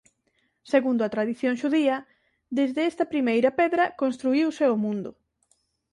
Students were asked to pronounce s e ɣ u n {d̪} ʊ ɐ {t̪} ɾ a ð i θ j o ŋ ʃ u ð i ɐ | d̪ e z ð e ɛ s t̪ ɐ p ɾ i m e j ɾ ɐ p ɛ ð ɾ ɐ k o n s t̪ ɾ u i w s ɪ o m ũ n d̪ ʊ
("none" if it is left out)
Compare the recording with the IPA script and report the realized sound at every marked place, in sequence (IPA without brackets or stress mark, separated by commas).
d̪, t̪